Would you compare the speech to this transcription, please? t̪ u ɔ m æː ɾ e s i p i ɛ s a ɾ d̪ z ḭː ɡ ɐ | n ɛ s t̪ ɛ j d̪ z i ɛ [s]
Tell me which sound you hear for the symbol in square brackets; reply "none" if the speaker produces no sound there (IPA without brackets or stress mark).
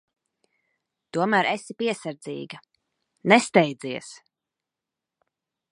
s